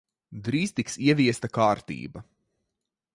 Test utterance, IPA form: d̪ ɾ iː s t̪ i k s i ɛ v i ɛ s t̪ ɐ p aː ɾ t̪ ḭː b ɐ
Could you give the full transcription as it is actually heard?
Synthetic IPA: d̪ ɾ iː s t̪ i k s i ɛ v i ɛ s t̪ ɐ k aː ɾ t̪ ḭː b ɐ